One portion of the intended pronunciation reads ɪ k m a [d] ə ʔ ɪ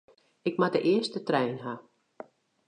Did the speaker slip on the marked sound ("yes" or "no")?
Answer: no